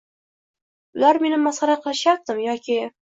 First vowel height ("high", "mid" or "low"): high